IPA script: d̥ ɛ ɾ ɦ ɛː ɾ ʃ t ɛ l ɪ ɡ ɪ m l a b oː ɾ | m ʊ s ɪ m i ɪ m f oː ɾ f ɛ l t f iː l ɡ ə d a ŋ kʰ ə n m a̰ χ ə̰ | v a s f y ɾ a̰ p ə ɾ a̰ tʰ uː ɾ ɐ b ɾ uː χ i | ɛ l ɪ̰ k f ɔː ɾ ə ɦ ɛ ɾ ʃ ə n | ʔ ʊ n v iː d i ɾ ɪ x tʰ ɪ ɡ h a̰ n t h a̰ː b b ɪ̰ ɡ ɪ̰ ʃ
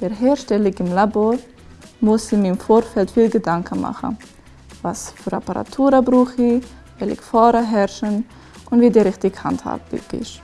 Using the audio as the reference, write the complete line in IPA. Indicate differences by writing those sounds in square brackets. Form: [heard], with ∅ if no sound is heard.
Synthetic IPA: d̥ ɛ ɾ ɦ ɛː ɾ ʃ t ɛ l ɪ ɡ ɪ m l a b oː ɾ | m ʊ s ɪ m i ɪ m f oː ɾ f ɛ l t f iː l ɡ ə d a ŋ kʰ ə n m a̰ χ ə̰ | v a s f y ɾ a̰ p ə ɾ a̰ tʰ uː ɾ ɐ b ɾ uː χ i | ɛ l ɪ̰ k f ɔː ɾ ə ɦ ɛ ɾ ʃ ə n | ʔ ʊ n v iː d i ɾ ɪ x [t] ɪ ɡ h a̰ n t h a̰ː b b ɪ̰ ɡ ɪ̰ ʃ